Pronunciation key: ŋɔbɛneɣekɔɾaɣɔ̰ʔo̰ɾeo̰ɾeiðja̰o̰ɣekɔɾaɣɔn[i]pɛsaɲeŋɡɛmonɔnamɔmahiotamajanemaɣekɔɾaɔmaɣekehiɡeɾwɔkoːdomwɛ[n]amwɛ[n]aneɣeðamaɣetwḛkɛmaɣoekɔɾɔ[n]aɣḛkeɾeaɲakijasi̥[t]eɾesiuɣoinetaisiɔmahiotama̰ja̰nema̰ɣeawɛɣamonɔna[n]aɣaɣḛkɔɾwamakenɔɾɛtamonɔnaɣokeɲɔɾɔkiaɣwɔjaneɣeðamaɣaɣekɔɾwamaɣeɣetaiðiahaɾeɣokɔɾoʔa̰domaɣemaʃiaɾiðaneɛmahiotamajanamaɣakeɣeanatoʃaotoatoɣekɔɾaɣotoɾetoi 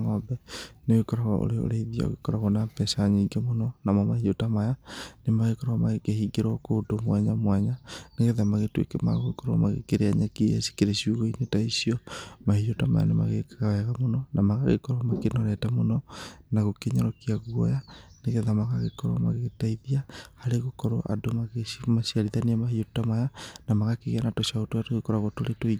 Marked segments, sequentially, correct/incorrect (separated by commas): incorrect, incorrect, incorrect, incorrect, incorrect, incorrect